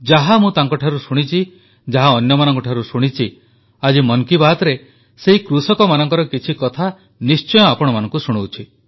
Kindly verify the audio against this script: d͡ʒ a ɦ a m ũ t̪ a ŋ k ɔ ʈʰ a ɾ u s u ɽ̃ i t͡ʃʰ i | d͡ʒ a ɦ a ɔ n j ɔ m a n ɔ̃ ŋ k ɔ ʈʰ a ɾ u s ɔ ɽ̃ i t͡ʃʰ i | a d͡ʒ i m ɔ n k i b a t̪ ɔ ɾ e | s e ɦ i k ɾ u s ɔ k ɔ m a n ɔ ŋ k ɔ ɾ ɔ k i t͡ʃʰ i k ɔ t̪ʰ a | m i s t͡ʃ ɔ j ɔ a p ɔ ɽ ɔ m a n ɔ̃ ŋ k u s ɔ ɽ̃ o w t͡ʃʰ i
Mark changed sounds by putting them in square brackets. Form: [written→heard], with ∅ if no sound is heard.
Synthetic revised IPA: d͡ʒ a ɦ a m ũ t̪ a ŋ k ɔ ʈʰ a ɾ u s u ɽ̃ i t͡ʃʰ i | d͡ʒ a ɦ a ɔ n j ɔ m a n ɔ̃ ŋ k ɔ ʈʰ a ɾ u s [ɔ→u] ɽ̃ i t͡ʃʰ i | a d͡ʒ i m ɔ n k i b a t̪ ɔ ɾ e | s e ɦ i k ɾ u s ɔ k ɔ m a n ɔ ŋ k ɔ ɾ ɔ k i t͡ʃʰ i k ɔ t̪ʰ a | [m→n] i s t͡ʃ ɔ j ɔ a p ɔ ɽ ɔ m a n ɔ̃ ŋ k u s [ɔ→u] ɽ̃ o w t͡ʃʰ i